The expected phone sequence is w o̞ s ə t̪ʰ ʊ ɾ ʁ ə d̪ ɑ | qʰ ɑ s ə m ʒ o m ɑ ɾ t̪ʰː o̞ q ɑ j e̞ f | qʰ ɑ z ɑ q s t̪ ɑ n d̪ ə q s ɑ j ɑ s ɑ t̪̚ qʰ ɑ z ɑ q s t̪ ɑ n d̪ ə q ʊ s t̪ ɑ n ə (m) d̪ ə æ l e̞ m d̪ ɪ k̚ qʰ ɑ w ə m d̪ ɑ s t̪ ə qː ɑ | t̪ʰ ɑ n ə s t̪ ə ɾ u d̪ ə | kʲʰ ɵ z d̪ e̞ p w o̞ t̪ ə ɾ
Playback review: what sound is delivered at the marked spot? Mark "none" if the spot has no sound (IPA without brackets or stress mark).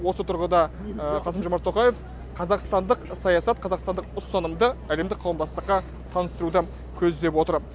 m